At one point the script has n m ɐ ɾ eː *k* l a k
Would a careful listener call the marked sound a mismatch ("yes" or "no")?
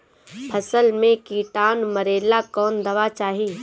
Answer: yes